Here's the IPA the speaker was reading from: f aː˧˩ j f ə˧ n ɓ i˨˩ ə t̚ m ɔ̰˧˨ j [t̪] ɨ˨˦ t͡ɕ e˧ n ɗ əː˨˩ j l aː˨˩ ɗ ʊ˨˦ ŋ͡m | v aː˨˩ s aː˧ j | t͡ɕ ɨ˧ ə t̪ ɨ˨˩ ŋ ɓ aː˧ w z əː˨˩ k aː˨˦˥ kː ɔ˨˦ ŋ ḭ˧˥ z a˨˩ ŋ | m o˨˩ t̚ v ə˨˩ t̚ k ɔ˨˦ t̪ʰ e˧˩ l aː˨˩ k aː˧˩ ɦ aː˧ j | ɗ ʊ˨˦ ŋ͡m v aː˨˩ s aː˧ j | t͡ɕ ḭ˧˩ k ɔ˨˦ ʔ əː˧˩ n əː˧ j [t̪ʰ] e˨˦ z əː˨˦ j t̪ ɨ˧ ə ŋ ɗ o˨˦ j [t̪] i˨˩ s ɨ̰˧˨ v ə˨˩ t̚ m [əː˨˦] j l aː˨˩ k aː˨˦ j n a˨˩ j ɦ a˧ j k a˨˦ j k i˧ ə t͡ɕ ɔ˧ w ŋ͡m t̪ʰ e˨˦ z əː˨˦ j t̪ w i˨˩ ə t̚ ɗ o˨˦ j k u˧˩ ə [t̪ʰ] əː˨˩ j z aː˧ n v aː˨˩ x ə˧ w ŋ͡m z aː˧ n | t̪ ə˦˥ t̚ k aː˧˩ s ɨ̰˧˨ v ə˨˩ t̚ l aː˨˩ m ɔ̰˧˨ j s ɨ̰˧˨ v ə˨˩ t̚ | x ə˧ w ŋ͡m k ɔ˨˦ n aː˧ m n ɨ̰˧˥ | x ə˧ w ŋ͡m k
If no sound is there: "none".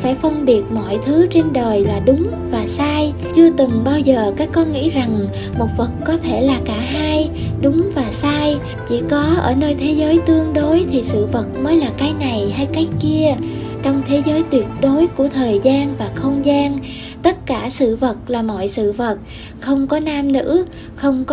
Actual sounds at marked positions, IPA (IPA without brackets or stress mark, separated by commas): t̪ʰ, t̪ʰ, t̪ʰ, əː˨˦, t̪ʰ